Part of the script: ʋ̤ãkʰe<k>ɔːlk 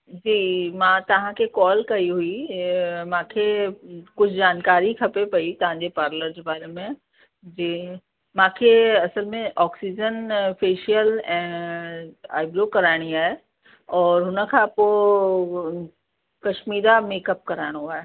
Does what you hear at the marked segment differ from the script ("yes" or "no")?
no